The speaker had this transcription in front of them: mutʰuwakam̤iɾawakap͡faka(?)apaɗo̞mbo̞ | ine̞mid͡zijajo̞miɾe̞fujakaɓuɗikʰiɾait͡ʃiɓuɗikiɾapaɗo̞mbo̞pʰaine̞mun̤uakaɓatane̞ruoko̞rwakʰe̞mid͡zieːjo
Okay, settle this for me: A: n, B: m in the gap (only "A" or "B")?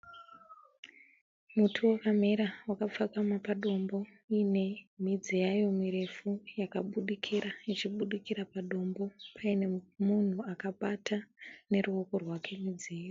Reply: B